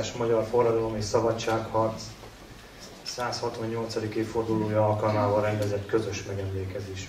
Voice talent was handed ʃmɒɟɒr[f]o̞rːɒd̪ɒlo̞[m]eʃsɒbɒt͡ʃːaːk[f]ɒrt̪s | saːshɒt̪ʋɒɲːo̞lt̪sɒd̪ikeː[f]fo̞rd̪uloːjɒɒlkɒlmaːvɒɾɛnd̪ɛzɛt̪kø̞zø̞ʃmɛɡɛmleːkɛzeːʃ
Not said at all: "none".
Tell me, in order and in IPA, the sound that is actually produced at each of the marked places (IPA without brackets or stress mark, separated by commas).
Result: f, m, h, f